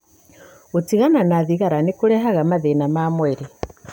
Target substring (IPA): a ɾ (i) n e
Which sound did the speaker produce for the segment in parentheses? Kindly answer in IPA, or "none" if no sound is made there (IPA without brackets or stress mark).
a